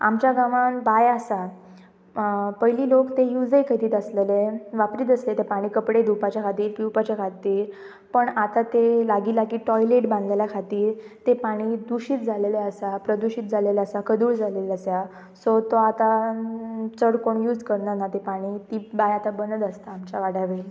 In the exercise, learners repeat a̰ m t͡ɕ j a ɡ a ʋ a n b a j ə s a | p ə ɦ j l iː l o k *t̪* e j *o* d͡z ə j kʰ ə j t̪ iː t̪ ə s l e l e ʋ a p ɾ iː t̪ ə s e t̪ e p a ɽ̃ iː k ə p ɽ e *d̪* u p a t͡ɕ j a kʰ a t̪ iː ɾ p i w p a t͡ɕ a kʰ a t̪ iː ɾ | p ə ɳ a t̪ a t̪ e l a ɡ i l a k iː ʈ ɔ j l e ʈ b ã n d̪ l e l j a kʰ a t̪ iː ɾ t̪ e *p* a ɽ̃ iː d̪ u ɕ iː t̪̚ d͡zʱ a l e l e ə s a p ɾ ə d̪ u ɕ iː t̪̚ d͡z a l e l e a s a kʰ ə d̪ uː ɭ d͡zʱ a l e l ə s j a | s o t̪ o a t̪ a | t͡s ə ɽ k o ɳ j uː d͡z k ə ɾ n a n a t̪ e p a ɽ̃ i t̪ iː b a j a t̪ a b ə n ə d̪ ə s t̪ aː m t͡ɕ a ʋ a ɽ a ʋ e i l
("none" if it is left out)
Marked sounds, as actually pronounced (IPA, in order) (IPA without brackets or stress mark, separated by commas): t̪, u, d̪, p